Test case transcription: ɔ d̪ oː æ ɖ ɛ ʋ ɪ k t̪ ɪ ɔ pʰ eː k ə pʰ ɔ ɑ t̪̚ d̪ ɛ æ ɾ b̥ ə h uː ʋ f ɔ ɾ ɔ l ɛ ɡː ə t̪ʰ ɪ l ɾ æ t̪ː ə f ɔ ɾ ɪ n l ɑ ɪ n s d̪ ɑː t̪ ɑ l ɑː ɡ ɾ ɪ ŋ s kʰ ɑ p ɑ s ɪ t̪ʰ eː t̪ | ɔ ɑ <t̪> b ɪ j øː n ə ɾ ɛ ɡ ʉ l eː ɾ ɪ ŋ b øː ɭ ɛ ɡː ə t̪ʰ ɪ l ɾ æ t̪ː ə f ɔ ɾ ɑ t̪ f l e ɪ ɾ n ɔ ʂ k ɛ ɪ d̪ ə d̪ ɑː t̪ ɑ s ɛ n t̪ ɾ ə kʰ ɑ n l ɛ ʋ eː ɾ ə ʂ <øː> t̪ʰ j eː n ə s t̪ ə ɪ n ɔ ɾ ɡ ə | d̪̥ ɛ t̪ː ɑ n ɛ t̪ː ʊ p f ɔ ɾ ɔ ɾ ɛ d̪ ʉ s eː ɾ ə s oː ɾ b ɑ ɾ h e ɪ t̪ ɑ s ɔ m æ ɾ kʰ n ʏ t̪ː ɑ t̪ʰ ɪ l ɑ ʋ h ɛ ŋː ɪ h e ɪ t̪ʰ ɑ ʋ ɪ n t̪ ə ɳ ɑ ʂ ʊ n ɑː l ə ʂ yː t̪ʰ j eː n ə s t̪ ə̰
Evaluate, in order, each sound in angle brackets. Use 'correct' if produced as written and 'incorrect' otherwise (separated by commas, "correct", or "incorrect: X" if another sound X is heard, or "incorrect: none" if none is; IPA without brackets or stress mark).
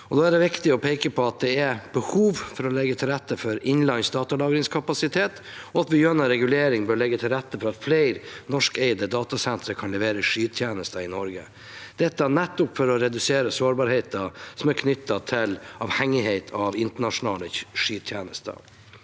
correct, incorrect: yː